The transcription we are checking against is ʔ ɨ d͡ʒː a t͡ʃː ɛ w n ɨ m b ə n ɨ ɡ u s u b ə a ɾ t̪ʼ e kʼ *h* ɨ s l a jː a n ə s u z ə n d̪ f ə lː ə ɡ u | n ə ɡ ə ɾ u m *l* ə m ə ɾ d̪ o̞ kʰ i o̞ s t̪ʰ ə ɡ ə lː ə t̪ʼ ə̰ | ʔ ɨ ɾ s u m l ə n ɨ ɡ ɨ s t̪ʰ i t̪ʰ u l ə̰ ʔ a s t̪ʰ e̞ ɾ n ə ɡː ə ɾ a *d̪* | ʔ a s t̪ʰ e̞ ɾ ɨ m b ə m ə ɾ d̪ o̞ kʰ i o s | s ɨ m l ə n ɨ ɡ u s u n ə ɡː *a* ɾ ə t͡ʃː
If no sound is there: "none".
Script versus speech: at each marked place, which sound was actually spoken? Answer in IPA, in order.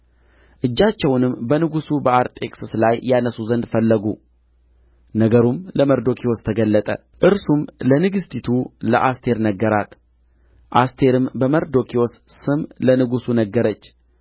s, l, t̪, ə

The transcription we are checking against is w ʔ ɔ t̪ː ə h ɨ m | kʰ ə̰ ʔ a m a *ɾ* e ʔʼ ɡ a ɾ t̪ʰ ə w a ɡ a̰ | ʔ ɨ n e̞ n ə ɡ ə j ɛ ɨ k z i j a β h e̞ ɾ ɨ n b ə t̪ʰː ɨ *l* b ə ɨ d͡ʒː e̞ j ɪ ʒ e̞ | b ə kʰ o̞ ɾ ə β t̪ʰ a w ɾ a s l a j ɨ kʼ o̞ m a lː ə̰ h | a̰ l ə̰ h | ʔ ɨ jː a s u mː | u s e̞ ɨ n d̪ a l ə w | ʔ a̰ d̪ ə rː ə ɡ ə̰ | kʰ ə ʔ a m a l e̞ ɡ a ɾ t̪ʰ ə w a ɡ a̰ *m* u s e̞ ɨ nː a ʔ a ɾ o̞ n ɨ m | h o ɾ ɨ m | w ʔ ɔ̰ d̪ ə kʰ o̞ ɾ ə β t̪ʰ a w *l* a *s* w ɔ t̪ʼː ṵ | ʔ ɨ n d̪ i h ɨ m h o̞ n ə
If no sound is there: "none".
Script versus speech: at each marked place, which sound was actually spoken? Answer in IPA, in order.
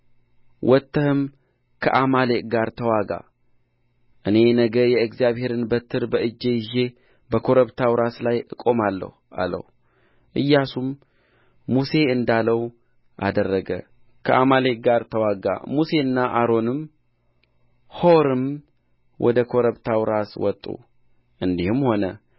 l, ɾ, m, ɾ, s

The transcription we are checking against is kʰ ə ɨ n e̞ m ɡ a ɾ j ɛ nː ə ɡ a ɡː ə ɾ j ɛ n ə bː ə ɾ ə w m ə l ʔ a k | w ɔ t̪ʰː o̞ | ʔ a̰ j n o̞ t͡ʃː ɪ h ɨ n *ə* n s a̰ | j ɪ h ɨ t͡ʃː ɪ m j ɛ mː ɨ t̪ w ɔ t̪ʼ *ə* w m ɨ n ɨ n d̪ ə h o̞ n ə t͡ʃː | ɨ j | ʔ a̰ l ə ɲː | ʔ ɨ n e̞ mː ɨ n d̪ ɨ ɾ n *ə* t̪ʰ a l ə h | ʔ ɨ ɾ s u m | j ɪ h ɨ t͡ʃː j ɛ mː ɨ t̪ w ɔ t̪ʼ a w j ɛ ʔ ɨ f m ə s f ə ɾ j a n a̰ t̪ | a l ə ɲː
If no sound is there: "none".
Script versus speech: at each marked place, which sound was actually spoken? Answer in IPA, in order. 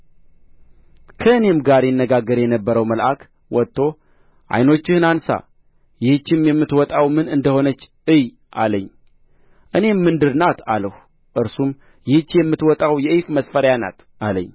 a, a, a

